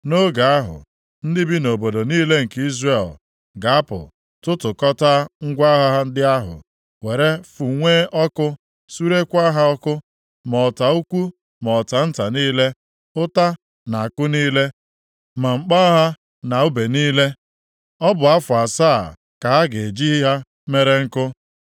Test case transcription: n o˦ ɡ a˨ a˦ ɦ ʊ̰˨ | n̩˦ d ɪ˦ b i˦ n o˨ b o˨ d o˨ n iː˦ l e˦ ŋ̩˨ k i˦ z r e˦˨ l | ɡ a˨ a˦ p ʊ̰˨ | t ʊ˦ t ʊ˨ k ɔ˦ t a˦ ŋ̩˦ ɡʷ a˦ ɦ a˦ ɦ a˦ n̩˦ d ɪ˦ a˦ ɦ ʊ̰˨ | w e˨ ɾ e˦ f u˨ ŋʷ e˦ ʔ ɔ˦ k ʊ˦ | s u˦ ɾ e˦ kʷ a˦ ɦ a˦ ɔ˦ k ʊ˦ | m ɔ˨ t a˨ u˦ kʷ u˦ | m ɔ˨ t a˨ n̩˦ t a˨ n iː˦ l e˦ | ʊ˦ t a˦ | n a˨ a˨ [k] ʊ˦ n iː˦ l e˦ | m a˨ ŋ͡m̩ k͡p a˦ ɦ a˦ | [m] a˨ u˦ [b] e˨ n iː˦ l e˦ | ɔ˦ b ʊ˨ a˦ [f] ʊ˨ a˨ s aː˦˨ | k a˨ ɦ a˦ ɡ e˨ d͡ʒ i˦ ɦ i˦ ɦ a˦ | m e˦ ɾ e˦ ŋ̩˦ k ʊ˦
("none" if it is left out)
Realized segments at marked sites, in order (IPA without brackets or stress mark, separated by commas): k, n, b, f